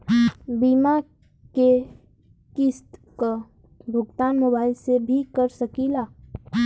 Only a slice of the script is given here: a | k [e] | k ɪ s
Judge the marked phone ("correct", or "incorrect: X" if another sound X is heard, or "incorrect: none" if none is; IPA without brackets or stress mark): correct